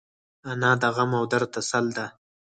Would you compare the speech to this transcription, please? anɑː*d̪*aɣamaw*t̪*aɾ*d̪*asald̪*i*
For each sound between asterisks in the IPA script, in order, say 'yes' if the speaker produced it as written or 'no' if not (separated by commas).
yes, no, no, no